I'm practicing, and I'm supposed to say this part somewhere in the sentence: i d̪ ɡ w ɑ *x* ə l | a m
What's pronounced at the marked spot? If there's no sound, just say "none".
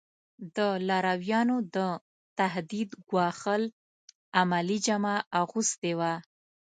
x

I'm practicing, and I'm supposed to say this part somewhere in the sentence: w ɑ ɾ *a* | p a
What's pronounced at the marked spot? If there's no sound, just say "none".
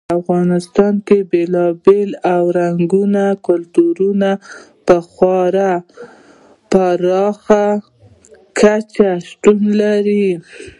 a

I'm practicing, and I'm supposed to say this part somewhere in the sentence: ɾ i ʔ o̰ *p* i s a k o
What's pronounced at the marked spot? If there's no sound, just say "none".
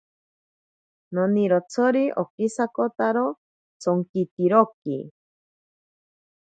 k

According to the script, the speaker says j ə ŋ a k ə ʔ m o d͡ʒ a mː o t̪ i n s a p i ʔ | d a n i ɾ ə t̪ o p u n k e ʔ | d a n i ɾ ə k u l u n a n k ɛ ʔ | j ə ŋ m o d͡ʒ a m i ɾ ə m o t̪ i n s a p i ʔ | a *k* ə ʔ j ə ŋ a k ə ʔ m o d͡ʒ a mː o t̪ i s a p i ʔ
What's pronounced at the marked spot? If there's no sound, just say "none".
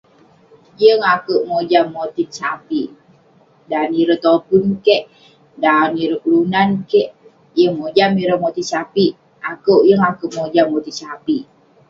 k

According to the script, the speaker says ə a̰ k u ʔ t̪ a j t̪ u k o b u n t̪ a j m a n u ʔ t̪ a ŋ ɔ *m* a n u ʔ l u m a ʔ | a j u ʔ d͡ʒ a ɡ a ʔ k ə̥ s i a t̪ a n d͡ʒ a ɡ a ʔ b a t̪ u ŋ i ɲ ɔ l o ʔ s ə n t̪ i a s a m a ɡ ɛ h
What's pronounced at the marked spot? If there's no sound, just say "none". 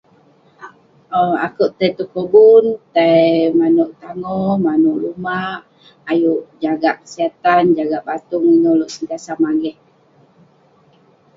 m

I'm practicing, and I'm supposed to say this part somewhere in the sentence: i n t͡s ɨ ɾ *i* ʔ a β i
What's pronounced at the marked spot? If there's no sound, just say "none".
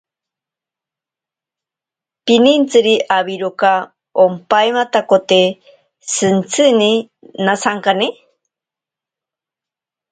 i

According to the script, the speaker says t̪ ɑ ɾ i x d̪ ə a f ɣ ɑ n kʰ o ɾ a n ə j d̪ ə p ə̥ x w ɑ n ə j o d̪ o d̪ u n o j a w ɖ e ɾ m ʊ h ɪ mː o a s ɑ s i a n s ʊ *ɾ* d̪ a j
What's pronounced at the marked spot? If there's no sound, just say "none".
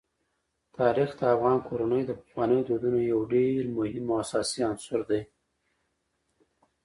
ɾ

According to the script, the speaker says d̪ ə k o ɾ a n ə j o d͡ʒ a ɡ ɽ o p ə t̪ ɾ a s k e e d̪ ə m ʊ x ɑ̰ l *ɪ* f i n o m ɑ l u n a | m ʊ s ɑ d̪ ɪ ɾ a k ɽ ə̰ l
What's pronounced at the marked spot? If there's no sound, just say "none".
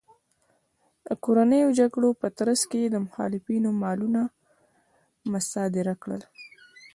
ɪ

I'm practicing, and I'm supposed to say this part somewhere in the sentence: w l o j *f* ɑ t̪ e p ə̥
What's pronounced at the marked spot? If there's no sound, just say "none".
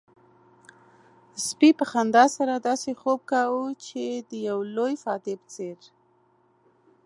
f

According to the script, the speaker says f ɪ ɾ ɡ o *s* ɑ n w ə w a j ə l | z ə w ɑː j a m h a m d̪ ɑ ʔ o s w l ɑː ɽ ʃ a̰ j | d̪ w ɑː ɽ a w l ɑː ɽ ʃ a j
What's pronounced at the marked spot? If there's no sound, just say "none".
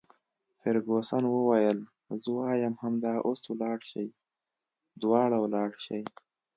s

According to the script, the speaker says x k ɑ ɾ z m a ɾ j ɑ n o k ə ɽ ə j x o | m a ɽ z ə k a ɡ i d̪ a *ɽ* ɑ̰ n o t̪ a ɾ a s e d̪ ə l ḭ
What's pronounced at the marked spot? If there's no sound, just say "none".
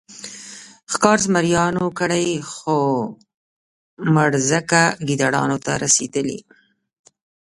ɽ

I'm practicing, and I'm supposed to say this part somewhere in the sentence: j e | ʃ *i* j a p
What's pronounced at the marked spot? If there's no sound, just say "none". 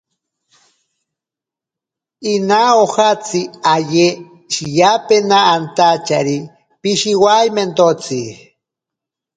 i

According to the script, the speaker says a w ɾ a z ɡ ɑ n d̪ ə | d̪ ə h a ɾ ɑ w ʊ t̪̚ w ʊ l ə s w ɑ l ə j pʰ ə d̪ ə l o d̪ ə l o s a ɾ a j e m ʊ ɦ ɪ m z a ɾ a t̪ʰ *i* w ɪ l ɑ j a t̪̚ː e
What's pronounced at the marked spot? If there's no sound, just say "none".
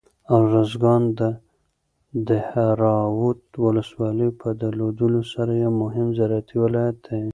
i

